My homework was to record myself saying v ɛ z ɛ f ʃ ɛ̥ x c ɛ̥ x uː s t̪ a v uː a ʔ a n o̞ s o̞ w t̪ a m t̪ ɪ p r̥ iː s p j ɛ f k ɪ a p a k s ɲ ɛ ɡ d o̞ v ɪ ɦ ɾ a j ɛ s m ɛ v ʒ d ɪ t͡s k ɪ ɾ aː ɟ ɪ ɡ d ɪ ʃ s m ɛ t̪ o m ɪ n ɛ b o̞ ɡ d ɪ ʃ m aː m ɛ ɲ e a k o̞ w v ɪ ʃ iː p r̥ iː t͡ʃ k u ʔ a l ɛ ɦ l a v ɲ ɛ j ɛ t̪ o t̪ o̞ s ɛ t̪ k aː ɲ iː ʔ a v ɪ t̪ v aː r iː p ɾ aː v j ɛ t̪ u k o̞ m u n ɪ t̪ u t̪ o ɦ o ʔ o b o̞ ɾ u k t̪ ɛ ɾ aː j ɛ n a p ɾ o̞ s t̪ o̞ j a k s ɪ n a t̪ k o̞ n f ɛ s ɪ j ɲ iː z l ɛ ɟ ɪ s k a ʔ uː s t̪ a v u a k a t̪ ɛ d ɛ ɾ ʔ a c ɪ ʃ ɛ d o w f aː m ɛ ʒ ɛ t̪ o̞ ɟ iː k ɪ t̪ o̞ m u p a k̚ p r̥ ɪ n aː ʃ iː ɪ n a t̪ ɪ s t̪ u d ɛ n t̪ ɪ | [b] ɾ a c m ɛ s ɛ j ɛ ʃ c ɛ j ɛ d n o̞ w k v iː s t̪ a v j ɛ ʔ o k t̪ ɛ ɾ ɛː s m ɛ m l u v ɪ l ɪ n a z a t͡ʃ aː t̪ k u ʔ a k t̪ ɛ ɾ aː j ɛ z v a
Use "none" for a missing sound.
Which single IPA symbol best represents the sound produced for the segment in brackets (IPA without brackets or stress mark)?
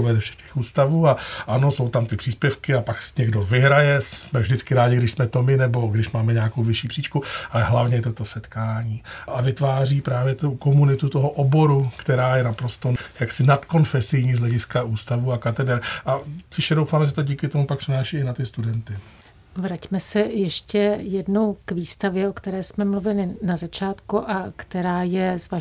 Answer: v